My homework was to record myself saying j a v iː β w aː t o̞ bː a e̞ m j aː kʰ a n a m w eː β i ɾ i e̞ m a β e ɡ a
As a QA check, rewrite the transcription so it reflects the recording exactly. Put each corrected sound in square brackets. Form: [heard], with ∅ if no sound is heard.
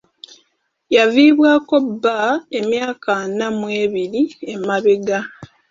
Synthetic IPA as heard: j a v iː β w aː [k] o̞ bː a e̞ m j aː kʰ a n a m w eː β i ɾ i e̞ m a β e ɡ a